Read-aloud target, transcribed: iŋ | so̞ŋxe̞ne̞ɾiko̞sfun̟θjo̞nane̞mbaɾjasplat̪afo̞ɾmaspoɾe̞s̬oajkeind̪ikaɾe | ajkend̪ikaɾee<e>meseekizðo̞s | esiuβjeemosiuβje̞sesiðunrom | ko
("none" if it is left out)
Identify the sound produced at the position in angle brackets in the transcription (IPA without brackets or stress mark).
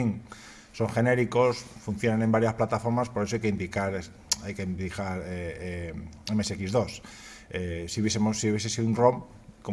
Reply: e